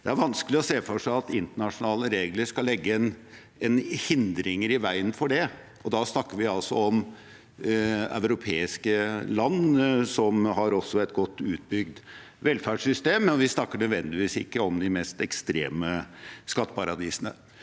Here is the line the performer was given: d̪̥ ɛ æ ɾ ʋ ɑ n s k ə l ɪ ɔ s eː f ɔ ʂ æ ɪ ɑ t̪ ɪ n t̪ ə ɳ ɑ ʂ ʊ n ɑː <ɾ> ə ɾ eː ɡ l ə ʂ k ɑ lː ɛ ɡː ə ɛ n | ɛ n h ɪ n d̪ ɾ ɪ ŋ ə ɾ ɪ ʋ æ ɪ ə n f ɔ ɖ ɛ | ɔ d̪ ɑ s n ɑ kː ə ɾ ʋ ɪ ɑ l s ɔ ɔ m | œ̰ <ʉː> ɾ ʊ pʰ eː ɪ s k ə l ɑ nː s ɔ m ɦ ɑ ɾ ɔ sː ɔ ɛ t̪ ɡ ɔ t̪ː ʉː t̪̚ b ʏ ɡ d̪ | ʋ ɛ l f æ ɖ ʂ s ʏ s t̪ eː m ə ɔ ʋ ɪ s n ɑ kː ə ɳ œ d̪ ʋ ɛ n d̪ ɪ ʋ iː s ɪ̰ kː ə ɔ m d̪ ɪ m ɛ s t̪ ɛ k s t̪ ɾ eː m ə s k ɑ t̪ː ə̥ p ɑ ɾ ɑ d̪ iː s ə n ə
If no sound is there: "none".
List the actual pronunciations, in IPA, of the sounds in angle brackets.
l, ʉ

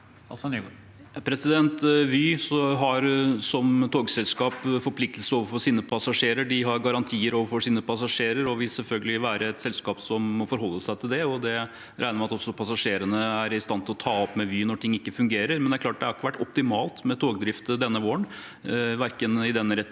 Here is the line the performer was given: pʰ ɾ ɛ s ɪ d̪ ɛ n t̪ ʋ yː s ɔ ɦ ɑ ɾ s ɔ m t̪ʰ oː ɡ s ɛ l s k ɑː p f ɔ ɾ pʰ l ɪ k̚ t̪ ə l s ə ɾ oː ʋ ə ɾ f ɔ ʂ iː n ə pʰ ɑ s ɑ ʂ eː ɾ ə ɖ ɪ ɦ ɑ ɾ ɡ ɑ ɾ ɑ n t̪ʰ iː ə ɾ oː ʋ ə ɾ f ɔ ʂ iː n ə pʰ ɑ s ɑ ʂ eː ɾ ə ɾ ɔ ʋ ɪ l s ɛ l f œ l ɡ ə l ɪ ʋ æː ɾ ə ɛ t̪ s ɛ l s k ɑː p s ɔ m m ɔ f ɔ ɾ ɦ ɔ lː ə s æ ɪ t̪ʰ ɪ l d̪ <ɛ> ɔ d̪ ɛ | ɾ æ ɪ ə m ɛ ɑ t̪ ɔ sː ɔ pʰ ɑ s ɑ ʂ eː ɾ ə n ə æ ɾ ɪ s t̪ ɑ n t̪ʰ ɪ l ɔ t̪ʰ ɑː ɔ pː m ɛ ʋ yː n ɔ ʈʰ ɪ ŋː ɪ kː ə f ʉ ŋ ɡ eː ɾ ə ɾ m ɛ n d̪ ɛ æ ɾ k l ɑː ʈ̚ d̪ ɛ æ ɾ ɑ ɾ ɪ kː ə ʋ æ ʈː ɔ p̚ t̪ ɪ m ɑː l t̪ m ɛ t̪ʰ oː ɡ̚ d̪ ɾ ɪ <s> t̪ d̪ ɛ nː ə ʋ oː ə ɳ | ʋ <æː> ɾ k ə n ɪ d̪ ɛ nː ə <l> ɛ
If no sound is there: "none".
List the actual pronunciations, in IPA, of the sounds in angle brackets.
ɛ, f, æ, ɾ

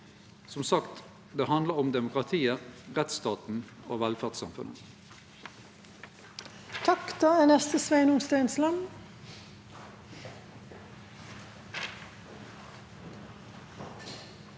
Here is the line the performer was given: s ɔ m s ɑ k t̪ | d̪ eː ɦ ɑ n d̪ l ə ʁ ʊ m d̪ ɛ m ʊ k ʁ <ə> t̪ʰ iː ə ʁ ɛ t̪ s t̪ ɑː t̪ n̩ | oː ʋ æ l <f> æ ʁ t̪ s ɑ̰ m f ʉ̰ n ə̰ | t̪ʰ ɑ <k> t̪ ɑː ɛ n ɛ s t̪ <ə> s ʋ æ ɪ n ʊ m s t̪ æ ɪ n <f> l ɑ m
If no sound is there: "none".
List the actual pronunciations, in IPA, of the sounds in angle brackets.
ɑ, f, k, ə, s

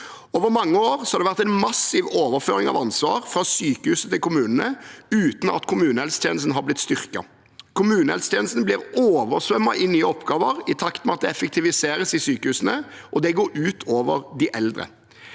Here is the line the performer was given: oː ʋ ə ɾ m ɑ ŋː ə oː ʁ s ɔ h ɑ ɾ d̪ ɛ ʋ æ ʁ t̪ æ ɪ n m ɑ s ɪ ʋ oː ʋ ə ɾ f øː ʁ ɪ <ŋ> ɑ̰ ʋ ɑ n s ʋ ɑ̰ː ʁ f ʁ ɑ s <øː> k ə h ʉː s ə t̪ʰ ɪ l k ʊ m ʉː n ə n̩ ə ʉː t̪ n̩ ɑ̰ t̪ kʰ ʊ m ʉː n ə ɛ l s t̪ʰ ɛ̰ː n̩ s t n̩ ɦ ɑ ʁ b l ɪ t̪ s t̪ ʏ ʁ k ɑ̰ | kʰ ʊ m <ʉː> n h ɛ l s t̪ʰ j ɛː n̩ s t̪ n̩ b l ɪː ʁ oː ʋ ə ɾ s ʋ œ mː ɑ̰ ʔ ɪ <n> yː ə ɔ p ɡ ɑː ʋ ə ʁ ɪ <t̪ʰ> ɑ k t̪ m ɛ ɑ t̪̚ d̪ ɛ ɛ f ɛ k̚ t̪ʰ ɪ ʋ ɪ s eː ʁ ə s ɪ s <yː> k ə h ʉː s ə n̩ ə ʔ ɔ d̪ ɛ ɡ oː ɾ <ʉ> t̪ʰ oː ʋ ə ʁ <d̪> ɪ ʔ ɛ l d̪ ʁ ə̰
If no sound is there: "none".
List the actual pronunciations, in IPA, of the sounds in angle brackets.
ŋ, yː, ʉː, n, t̪ʰ, yː, ʉː, d̪

